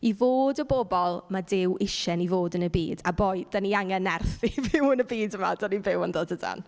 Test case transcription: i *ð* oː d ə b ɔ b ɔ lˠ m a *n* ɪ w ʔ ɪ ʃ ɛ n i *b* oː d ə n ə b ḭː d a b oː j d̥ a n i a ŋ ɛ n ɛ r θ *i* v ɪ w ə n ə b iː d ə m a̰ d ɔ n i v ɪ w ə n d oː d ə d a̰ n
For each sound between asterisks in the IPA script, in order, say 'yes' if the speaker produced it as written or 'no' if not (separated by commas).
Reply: no, no, no, yes